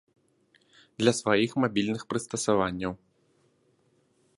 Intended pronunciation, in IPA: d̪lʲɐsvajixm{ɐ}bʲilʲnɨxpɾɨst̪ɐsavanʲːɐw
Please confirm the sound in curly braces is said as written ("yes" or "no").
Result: no